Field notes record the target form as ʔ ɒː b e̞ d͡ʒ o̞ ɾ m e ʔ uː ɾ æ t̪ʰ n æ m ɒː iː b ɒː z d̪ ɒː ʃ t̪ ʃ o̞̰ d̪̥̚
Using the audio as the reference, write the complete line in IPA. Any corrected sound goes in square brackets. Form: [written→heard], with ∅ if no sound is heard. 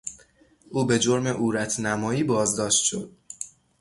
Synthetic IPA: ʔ [ɒː→uː] b e̞ d͡ʒ o̞ ɾ m e ʔ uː ɾ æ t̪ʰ n æ m ɒː iː b ɒː z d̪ ɒː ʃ t̪ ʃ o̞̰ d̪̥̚